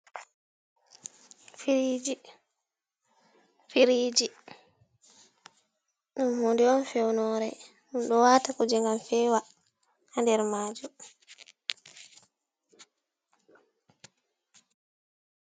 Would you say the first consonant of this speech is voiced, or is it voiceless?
voiceless